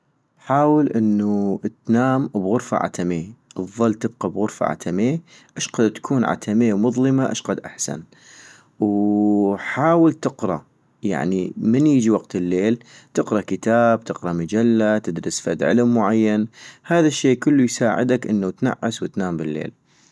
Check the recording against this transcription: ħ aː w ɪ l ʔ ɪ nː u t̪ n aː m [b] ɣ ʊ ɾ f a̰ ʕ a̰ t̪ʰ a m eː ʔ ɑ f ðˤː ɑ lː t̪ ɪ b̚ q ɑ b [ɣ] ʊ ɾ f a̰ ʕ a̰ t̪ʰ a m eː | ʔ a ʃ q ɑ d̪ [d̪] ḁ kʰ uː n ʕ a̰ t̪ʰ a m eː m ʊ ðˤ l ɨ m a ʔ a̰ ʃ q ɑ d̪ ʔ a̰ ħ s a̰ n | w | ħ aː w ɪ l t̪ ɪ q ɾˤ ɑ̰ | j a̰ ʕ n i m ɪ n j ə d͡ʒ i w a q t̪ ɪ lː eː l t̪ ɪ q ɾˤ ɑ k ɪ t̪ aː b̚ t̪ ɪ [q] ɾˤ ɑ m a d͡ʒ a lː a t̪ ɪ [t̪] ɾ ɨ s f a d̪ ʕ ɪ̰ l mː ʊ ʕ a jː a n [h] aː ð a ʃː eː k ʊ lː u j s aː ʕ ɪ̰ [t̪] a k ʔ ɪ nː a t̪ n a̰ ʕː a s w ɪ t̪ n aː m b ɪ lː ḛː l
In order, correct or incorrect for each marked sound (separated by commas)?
correct, correct, incorrect, correct, incorrect, correct, incorrect